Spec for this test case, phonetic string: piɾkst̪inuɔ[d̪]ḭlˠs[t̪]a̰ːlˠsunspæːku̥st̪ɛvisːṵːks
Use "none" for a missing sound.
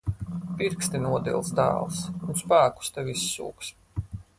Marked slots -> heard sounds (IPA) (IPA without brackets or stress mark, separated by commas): d̪, d̪